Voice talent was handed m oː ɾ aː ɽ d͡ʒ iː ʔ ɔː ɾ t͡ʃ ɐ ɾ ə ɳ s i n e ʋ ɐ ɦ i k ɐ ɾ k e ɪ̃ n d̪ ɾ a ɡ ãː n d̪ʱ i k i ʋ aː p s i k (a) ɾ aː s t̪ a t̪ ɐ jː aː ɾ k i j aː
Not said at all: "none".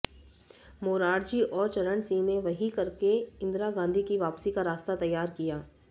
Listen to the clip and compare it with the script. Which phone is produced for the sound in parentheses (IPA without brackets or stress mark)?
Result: a